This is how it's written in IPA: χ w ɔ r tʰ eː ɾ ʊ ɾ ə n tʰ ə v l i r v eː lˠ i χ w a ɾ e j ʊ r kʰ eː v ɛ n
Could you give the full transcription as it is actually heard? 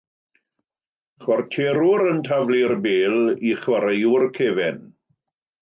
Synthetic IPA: χ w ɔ r tʰ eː ɾ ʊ ɾ ə n tʰ a v l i r b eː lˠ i χ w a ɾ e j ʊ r kʰ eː v ɛ n

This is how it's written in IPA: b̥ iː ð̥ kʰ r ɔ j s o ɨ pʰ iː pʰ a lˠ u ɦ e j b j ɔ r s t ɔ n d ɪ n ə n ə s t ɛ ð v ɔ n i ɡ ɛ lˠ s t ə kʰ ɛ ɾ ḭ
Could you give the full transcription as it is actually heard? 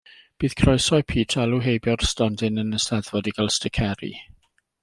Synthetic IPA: b̥ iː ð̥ kʰ r ɔ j s ɔ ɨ pʰ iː tʰ a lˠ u ɦ e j b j ɔ r s t ɔ n d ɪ n ə n ə s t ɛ ð v ɔ d i ɡ a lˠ s t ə kʰ ɛ ɾ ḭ

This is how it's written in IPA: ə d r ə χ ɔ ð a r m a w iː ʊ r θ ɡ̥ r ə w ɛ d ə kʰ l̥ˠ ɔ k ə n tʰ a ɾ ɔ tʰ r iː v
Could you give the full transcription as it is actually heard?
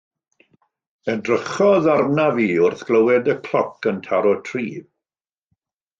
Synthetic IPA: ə d r ə χ ɔ ð a r n a v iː ʊ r θ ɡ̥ l ə w ɛ d ə kʰ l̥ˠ ɔ k ə n tʰ a ɾ ɔ tʰ r iː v

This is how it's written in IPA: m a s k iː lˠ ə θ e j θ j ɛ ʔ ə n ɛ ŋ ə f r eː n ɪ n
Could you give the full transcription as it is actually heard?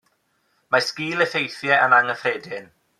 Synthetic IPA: m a s k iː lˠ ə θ e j θ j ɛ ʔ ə n a ŋ ə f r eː d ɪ n

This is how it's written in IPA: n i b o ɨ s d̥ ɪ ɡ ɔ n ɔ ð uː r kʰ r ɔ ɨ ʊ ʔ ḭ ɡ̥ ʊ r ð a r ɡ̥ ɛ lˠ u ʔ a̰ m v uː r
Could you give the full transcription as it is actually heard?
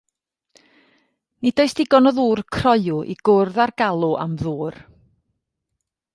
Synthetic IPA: n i d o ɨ s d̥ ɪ ɡ ɔ n ɔ ð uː r kʰ r ɔ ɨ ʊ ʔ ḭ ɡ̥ ʊ r ð a r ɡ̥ a lˠ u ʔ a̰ m ð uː r

